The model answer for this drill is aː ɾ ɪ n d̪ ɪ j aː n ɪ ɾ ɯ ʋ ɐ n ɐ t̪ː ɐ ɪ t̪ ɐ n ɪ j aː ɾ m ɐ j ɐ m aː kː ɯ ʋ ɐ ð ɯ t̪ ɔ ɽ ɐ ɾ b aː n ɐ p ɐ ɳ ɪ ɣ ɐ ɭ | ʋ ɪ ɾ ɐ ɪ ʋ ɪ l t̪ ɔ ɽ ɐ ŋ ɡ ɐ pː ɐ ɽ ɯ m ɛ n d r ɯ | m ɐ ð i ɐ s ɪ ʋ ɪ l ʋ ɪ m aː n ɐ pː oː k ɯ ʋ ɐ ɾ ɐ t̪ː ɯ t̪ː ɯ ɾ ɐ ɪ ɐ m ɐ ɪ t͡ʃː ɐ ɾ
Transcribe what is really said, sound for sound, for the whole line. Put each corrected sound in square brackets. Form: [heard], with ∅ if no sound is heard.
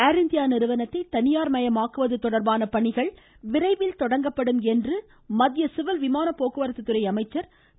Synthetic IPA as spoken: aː ɾ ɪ n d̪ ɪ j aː n ɪ ɾ ɯ ʋ ɐ n ɐ t̪ː ɐ ɪ t̪ ɐ n ɪ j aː ɾ m ɐ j ɐ m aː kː ɯ ʋ ɐ ð ɯ t̪ ɔ ɽ ɐ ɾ b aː n ɐ p ɐ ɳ ɪ ɣ ɐ ɭ | ʋ ɪ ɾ ɐ ɪ ʋ ɪ l t̪ ɔ ɽ ɐ ŋ ɡ ɐ pː ɐ ɽ ɯ m ɛ n d r ɯ | m ɐ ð [j] ɐ s ɪ ʋ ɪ l ʋ ɪ m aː n ɐ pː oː k ɯ ʋ ɐ ɾ ɐ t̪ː ɯ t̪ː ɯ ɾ ɐ ɪ ɐ m ɐ ɪ t͡ʃː ɐ ɾ